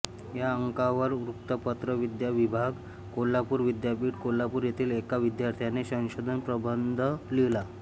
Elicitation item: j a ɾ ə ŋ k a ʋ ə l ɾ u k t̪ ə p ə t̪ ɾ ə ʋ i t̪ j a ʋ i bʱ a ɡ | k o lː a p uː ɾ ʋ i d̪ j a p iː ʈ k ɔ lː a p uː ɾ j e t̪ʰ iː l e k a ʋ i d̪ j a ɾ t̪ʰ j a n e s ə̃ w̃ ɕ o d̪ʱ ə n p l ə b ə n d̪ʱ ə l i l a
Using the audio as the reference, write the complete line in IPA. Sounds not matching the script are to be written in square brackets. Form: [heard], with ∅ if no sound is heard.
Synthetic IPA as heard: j a [∅] ə ŋ k a ʋ ə [ɾ] ɾ u k t̪ ə p ə t̪ ɾ ə ʋ i [d̪] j a ʋ i bʱ a ɡ | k o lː a p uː ɾ ʋ i d̪ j a p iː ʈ k [o] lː a p uː ɾ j e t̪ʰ iː l e k a ʋ i d̪ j a ɾ t̪ʰ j a n e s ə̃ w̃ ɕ o d̪ʱ ə n p [ɾ] ə b ə n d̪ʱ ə l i l a